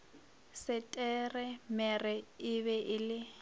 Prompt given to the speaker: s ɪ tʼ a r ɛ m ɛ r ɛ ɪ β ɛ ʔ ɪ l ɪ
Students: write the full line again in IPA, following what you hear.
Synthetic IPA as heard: s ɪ tʼ ɛ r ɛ m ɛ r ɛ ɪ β ɛ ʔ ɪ l ɪ

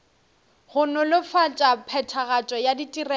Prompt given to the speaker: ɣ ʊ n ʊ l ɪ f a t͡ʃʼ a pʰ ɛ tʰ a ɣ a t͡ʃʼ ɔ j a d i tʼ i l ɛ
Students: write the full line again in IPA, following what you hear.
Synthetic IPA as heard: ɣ ʊ n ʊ l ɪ f a t͡ʃʼ a pʰ ɛ tʰ a ɣ a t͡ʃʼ ɔ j a d i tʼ i r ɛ

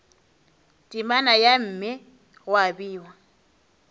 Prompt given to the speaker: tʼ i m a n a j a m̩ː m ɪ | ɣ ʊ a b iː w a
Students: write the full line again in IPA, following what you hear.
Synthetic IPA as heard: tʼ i m a n a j a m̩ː m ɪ | ɣ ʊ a b iː w a

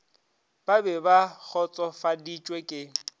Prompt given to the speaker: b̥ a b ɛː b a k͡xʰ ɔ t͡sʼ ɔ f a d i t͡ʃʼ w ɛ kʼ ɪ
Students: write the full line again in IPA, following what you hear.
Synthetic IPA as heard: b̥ a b ɛ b a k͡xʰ ɔ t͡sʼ ɔ f a d i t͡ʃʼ w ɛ kʼ ɪ

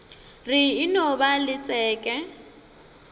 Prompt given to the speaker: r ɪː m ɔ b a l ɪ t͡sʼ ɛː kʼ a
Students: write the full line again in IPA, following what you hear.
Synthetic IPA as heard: r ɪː n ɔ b a l ɪ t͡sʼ ɛː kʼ ɛ

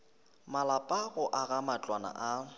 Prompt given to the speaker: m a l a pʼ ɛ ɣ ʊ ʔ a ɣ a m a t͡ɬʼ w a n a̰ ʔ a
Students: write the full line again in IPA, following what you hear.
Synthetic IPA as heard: m a l a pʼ a ɣ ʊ ʔ a ɣ a m a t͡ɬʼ w a n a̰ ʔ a

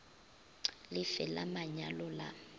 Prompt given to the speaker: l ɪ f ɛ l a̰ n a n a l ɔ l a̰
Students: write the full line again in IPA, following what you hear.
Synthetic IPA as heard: l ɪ f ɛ l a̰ m a ɲ a l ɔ l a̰

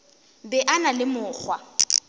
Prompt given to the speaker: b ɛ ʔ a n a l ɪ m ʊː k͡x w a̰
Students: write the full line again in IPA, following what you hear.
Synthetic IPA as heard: b ɛ ʔ a n a l ɪ m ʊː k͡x w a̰

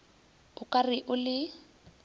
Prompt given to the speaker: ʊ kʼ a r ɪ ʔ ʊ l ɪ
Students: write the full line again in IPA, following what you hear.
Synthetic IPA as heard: ʊ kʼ a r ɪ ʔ ʊ l ɪ

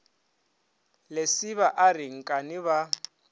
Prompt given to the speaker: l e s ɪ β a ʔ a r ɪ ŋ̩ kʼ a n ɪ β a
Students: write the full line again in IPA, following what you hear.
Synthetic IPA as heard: l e s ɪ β a ʔ a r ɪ ŋ̩ kʼ a n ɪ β a

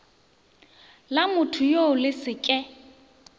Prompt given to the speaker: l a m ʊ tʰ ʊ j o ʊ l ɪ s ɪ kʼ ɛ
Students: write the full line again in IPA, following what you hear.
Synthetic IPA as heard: l a m ʊ tʰ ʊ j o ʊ l ɪ s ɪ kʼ ɛ

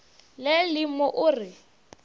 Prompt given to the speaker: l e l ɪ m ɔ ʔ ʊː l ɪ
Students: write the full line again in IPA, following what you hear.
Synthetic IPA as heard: l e l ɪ m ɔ ʔ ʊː r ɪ

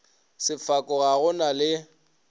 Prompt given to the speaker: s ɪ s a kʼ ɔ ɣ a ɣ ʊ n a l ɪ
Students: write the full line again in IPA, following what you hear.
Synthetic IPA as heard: s ɪ f a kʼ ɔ ɣ a ɣ ʊ n a l ɪ

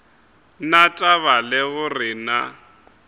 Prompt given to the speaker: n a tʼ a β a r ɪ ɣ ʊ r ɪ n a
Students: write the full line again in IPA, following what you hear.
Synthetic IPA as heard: n a tʼ a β a l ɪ ɣ ʊ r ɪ n a

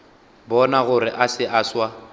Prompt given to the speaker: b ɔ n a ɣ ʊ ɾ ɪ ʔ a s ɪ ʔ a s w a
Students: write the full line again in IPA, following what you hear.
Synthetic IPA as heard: b ɔ n a ɣ ʊ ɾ ɪ ʔ a s ɪ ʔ a s w a

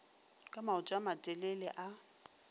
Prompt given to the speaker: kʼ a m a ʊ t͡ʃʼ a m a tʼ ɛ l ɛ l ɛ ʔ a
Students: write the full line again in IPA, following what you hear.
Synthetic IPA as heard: kʼ a m a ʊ t͡ʃʼ a m a tʼ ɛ l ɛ l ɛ ʔ a

